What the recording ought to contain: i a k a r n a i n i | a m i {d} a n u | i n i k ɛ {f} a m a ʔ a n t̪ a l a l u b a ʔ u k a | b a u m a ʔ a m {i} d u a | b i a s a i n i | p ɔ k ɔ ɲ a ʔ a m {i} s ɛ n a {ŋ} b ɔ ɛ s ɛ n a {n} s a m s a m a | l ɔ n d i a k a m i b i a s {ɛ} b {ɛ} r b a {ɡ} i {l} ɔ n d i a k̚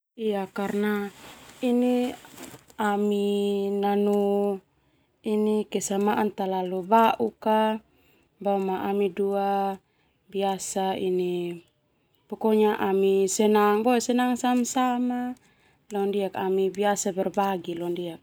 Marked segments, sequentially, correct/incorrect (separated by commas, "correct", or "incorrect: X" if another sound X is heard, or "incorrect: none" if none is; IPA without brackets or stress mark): incorrect: n, incorrect: s, correct, correct, correct, incorrect: ŋ, incorrect: a, correct, correct, correct